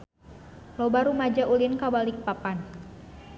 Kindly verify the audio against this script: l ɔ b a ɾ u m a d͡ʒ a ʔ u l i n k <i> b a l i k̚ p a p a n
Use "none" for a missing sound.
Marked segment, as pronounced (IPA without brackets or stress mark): a